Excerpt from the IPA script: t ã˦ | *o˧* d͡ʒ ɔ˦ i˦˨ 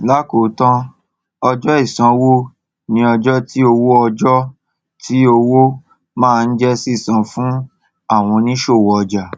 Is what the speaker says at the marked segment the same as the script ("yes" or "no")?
no